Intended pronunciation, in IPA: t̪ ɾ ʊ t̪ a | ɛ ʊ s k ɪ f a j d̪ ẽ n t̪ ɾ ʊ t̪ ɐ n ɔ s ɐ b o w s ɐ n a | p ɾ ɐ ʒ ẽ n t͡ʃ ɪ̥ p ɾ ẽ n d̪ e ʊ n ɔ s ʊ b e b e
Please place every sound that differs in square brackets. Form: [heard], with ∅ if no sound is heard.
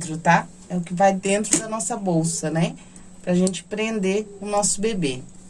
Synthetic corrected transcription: t̪ ɾ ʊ t̪ a | ɛ ʊ [∅] k ɪ [v] a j d̪ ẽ n t̪ ɾ ʊ [d̪] ɐ n ɔ s ɐ b o w s ɐ n [ɛ] | p ɾ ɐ ʒ ẽ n t͡ʃ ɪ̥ p ɾ ẽ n d̪ e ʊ n ɔ s ʊ b e b e